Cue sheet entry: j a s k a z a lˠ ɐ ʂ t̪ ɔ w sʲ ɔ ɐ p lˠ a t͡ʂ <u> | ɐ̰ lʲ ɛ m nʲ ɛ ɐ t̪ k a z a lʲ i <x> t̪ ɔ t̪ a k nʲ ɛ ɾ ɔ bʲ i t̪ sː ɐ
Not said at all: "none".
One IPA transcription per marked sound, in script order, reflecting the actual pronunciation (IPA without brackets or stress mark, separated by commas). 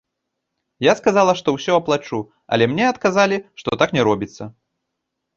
u, ʂ